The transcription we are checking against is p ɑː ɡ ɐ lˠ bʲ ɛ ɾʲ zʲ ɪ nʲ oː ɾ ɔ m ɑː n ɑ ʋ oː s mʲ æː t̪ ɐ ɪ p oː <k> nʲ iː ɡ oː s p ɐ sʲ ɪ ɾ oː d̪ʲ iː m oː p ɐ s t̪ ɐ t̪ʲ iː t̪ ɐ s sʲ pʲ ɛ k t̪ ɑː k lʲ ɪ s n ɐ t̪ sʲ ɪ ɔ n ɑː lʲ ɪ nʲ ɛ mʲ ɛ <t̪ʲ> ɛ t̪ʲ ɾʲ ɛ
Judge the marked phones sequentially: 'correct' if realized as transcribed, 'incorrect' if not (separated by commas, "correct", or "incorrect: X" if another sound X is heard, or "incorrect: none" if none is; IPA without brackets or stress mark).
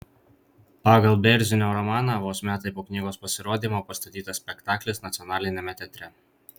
correct, correct